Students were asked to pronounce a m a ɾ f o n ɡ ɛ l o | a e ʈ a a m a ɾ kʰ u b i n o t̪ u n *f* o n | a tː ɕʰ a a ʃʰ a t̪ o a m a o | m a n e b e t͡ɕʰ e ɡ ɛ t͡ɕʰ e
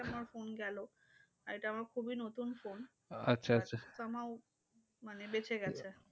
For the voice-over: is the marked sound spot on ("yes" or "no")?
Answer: yes